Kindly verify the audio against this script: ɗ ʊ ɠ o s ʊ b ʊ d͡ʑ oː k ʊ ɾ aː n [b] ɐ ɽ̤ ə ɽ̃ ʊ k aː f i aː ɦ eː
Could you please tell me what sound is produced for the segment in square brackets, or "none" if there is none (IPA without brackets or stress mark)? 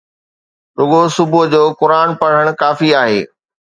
p